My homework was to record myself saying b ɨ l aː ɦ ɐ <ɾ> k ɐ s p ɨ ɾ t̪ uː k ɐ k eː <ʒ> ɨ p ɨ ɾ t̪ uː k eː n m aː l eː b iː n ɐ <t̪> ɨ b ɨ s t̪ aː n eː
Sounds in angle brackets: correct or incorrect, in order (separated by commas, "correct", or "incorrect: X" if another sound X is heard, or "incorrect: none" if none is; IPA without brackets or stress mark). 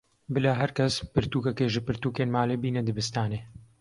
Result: correct, correct, incorrect: d̪